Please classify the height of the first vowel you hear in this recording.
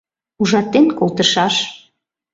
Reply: high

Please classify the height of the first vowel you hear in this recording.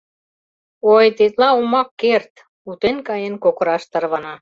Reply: mid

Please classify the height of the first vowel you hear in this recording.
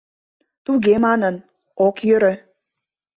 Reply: high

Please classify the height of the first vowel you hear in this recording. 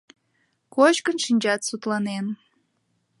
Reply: mid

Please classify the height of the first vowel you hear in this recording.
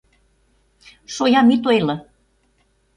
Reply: mid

